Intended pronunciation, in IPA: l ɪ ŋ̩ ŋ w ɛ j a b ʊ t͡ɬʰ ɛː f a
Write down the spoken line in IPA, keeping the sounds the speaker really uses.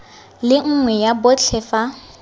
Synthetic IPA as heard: l ɪ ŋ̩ ŋ w ɛ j a b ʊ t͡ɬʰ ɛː f a